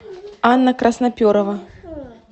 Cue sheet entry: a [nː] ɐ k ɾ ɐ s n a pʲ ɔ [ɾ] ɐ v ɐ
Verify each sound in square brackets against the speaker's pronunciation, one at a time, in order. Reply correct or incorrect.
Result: correct, correct

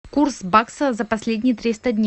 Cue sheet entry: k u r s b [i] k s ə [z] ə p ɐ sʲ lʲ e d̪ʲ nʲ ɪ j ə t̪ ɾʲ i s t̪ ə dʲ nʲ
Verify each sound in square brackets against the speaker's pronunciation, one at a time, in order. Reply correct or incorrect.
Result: incorrect: a, correct

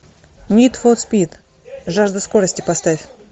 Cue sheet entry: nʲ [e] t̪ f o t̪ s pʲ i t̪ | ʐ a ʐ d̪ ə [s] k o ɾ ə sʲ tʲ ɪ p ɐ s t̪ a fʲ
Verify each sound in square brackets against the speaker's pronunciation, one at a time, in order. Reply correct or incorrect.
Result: incorrect: i, correct

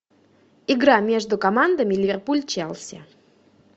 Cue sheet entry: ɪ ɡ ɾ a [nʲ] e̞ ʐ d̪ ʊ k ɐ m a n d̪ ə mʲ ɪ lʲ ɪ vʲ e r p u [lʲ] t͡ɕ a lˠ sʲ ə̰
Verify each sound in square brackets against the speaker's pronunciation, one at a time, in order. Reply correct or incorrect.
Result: incorrect: mʲ, correct

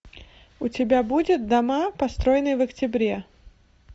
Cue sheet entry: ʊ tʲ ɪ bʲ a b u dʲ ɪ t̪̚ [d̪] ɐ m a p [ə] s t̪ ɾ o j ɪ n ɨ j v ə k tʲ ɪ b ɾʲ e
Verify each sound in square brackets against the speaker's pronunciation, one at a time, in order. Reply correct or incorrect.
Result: correct, incorrect: ɐ

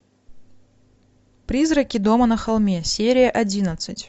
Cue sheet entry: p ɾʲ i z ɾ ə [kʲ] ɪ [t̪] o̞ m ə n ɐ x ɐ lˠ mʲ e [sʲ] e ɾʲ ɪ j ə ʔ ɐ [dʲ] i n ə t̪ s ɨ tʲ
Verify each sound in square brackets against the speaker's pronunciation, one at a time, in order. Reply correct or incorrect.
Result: correct, incorrect: d̪, correct, correct

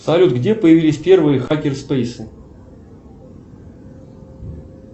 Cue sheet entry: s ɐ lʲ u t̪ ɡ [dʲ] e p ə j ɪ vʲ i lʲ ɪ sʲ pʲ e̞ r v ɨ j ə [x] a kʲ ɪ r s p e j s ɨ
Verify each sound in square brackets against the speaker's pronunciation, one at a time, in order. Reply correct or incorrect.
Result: correct, correct

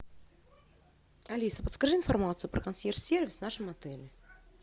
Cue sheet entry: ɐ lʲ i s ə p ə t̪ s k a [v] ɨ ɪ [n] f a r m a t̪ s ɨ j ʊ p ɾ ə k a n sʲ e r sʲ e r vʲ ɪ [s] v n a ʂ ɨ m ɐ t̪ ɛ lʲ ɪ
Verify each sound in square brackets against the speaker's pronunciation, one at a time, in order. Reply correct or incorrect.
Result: incorrect: ʐ, correct, correct

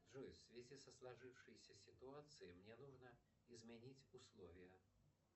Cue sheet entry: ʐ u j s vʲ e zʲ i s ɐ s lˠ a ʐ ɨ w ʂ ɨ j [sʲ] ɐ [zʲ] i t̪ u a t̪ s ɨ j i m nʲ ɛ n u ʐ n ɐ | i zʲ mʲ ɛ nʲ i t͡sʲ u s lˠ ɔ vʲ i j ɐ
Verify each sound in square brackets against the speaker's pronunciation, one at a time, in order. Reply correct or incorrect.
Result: correct, incorrect: sʲ

